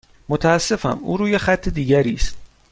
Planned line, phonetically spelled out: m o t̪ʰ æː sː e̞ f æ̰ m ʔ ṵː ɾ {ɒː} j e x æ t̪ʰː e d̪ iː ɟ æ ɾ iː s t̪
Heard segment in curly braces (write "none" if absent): uː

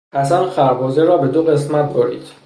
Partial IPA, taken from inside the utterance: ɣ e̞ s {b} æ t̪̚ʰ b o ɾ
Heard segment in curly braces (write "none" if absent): m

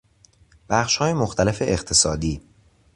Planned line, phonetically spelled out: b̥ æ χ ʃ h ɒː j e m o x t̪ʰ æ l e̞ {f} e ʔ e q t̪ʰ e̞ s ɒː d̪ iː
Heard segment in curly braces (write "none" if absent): f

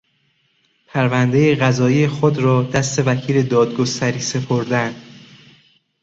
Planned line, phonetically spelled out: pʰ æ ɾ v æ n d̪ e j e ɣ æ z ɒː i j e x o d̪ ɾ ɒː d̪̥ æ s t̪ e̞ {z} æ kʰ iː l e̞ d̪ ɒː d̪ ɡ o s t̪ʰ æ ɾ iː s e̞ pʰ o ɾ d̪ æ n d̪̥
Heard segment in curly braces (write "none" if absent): v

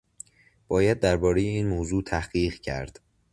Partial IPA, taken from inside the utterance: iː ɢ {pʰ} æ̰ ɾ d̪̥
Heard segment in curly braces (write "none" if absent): cʰ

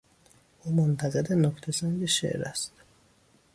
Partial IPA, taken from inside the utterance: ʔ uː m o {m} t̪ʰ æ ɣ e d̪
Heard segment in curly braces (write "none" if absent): n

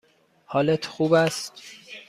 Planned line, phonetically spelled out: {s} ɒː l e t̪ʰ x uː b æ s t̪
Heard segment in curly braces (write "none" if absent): h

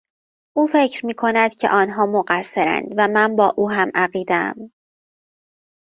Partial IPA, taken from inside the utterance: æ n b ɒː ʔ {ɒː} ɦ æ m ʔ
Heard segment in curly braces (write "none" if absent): uː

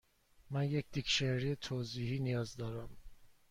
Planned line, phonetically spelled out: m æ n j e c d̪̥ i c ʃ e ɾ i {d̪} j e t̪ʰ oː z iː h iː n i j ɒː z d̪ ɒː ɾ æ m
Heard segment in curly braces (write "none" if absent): none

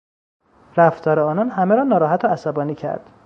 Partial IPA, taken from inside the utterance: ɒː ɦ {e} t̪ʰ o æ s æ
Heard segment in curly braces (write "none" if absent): æ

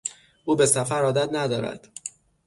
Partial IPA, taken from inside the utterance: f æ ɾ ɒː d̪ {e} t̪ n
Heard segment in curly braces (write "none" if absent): æ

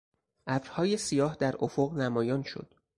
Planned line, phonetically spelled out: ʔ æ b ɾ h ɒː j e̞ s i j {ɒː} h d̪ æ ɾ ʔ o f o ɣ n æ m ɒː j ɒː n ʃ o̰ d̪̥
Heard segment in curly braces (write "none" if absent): ɒː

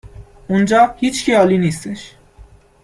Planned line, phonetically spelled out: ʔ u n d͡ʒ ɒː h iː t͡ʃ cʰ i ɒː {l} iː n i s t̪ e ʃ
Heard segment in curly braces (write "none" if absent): l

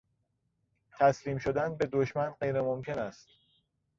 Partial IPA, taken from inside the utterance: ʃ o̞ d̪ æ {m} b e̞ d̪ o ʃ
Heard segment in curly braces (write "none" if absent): n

